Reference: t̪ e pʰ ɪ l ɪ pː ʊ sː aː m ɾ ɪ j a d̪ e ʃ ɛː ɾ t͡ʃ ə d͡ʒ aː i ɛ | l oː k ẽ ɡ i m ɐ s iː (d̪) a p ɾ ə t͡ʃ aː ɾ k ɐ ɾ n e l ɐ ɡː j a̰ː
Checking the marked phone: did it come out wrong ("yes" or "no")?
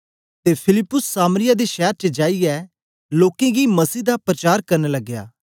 no